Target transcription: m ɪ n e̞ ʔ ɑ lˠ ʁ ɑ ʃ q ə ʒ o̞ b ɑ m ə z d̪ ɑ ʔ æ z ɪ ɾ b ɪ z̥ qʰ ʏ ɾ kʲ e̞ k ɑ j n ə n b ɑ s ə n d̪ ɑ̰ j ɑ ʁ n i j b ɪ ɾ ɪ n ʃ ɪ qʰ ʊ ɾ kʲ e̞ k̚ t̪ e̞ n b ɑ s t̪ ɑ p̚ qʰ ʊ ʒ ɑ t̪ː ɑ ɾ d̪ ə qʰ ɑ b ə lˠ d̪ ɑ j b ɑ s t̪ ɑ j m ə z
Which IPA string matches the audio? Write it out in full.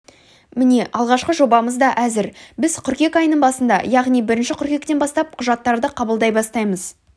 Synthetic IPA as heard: m ɪ n e̞ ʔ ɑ lˠ ʁ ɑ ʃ q ə ʒ o̞ b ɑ m ə z d̪ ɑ ʔ æ z ɪ ɾ b ɪ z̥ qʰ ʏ ɾ kʲ e̞ k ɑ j n ə ɴ b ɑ s ə n d̪ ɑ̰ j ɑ ʁ n i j b ɪ ɾ ɪ n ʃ ɪ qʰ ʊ ɾ kʲ e̞ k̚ t̪ e̞ n b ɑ s t̪ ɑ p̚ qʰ ʊ ʒ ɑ t̪ː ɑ ɾ d̪ ə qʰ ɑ b ə lˠ d̪ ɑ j b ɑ s t̪ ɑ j m ə z